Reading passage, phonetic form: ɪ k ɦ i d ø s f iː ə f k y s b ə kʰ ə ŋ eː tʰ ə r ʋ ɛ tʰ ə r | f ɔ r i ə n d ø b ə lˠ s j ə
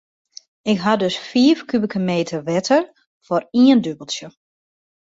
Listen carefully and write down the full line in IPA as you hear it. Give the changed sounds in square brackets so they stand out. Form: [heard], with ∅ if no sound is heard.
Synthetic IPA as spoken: ɪ k ɦ [a] d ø s f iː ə f k y [∅] b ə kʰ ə [m] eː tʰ ə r ʋ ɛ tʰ ə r | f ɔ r i ə n d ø b ə lˠ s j ə